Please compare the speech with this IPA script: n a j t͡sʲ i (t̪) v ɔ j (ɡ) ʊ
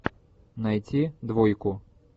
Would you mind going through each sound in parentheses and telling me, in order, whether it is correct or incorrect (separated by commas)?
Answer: incorrect, incorrect